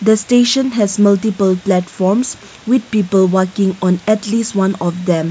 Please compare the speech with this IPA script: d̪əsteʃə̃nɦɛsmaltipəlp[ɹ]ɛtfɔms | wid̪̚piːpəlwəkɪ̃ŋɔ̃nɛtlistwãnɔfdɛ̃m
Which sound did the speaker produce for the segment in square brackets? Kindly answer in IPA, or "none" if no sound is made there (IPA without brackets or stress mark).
l